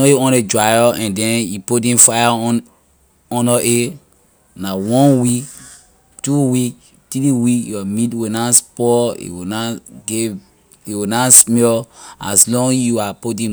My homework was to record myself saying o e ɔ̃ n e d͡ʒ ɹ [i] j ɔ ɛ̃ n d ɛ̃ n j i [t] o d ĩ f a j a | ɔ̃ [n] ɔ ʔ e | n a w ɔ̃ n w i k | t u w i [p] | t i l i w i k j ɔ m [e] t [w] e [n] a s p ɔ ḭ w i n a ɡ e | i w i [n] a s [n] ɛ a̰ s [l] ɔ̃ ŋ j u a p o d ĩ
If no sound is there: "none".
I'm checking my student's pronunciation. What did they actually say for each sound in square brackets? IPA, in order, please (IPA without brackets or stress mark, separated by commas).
a, p, n, k, i, w, n, n, m, l